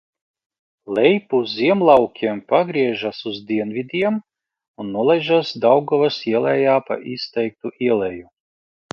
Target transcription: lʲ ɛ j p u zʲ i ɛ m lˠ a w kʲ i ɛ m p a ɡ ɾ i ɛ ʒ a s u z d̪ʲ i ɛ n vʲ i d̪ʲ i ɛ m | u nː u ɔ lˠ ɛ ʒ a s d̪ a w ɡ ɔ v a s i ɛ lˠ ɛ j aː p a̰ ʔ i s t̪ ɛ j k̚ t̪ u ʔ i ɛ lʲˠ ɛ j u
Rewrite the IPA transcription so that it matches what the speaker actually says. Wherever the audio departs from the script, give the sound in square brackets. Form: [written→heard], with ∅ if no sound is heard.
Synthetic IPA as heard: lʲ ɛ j p u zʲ i ɛ m lˠ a w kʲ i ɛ m p a ɡ ɾ i ɛ ʒ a s u z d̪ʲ i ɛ n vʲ i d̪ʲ i ɛ m | u nː u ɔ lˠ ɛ ʒ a s d̪ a w ɡ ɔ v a s i ɛ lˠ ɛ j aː p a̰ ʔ i s t̪ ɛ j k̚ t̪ u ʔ i ɛ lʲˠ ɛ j u